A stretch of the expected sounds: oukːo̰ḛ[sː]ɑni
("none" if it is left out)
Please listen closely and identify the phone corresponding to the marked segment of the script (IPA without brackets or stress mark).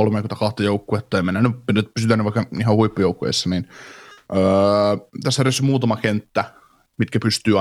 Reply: sː